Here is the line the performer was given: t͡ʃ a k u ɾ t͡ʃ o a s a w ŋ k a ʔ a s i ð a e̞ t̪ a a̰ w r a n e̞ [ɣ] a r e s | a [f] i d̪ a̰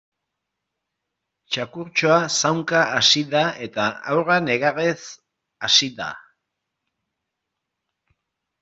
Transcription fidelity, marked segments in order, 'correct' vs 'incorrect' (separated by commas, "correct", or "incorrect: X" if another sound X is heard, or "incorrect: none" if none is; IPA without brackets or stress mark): correct, incorrect: s